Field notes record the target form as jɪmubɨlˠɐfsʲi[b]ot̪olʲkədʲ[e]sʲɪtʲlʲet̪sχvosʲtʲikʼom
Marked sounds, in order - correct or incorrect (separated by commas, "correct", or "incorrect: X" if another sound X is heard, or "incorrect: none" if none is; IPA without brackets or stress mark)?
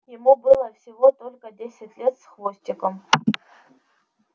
incorrect: v, correct